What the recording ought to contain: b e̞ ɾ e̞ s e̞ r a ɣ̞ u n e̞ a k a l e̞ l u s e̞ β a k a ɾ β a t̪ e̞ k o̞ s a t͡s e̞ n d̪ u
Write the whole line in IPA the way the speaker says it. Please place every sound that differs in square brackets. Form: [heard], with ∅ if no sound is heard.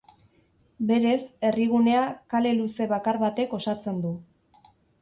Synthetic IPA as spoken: b e̞ ɾ e̞ s e̞ r [i] ɣ̞ u n e̞ a k a l e̞ l u s e̞ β a k a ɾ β a t̪ e̞ k o̞ s a t͡s e̞ n d̪ u